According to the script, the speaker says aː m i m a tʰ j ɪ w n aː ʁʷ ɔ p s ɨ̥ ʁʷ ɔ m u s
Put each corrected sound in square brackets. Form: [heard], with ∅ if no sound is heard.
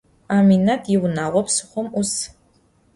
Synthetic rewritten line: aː m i [n] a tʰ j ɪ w n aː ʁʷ ɔ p s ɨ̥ [χʷ] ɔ m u s